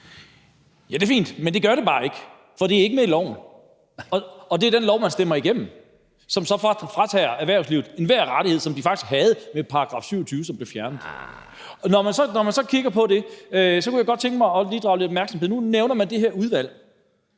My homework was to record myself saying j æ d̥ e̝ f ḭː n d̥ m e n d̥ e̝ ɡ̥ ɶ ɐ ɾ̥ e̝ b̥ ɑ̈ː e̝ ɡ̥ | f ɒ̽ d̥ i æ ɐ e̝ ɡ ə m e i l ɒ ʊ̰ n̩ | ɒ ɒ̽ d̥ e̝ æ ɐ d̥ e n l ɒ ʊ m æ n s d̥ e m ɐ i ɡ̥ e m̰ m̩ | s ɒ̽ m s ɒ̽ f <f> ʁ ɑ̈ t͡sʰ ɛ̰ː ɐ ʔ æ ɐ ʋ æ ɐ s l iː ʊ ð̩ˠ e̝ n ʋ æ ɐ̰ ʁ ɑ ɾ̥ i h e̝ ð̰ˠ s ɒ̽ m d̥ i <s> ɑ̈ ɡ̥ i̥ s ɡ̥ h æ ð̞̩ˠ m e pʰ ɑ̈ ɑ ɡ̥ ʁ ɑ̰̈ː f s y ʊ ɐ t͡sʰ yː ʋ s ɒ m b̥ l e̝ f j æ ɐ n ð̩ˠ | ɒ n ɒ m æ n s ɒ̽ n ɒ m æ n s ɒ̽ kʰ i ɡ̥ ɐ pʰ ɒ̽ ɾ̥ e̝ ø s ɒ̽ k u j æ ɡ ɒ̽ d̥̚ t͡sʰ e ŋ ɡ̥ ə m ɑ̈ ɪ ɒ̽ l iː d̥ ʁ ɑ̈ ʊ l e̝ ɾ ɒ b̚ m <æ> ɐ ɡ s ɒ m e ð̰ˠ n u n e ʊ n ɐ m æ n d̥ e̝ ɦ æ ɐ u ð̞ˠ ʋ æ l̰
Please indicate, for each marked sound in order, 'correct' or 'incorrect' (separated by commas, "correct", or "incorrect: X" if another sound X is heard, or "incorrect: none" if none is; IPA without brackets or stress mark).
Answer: correct, incorrect: f, correct